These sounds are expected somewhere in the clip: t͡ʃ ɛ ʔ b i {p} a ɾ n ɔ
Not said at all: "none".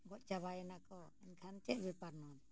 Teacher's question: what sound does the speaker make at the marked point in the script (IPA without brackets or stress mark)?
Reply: p